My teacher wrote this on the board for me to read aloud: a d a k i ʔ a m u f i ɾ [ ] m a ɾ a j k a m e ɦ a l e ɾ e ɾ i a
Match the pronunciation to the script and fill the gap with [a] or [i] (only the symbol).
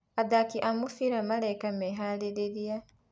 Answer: a